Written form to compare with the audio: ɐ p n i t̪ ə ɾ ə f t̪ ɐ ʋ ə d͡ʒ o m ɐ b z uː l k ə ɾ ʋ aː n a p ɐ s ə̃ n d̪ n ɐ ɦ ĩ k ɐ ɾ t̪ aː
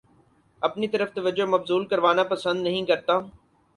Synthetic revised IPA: ɐ p n i t̪ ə ɾ ə f t̪ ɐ ʋ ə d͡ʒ o m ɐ b z uː l k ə ɾ ʋ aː n a p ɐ s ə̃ n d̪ n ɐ ɦ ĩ k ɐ ɾ t̪ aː